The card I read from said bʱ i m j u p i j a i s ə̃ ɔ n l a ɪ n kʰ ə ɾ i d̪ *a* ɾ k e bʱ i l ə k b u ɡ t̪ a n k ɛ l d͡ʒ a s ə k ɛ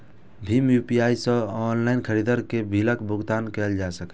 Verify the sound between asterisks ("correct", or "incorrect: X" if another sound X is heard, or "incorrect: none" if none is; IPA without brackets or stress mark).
incorrect: ə